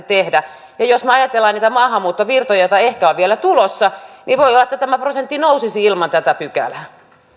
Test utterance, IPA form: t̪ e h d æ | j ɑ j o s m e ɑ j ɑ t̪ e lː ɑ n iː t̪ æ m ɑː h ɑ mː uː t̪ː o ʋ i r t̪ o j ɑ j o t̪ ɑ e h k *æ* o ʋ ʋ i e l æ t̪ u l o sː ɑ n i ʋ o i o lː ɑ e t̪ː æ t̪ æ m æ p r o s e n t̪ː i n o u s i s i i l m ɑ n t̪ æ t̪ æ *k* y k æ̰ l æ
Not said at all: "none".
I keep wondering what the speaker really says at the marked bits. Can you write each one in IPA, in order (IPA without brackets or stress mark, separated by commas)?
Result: æ, p